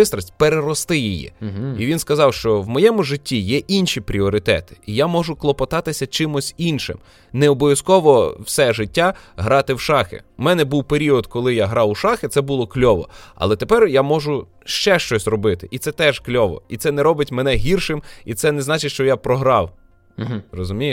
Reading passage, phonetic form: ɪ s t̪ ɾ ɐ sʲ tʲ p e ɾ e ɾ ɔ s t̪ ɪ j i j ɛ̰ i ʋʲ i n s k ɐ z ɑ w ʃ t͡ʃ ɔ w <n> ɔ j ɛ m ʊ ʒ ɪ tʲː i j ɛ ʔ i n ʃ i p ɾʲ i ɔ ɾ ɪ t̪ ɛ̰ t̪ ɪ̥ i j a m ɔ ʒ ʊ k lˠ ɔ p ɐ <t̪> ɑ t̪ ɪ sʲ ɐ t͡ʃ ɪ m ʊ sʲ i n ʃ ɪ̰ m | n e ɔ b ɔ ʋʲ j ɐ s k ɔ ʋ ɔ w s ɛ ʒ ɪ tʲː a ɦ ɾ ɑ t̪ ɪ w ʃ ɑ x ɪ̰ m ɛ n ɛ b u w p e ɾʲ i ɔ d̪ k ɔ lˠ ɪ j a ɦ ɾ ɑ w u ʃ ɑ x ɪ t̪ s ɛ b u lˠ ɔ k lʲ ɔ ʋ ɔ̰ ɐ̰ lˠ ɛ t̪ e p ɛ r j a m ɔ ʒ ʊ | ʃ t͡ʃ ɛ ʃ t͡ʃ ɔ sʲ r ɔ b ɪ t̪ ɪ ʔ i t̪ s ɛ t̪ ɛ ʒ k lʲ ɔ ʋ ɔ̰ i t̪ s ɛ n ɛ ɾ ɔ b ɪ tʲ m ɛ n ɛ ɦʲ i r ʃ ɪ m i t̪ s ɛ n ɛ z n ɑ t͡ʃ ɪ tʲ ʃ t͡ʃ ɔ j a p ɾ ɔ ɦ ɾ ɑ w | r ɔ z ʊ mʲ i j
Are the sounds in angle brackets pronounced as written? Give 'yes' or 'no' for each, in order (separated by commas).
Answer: no, yes